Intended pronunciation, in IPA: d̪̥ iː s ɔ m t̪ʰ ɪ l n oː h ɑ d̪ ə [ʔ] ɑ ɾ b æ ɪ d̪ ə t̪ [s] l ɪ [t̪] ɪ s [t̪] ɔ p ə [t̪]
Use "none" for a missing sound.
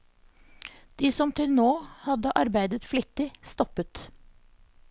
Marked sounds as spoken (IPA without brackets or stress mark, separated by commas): ʔ, f, t̪, t̪, t̪